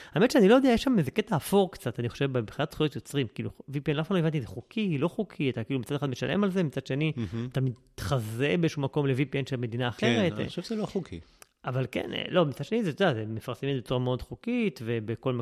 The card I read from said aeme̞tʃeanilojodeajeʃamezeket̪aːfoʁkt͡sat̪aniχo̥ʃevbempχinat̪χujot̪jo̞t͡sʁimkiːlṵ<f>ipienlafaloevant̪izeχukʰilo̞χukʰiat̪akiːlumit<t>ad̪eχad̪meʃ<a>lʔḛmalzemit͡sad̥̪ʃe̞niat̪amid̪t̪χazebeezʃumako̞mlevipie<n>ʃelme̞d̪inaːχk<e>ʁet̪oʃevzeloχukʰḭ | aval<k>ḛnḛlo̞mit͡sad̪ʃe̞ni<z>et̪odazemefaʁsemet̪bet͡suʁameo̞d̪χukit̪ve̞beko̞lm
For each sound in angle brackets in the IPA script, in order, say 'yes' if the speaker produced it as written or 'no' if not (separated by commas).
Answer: no, no, yes, yes, yes, yes, yes